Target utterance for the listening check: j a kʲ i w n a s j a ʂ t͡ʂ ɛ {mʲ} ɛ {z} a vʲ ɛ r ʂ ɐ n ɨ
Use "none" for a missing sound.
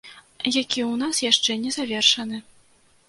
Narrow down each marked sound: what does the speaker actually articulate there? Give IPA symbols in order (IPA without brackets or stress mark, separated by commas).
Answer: nʲ, z